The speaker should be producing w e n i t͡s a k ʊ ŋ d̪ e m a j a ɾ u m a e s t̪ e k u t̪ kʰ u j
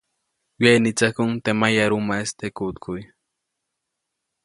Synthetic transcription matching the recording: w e n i t͡s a k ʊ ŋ t̪ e m a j a ɾ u m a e s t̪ e k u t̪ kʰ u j